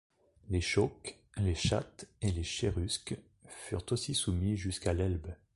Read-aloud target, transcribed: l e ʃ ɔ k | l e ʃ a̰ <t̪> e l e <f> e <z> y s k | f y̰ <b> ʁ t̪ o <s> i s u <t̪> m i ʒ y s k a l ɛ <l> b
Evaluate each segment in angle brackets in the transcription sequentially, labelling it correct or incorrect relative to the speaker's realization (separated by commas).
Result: correct, incorrect, incorrect, incorrect, correct, incorrect, correct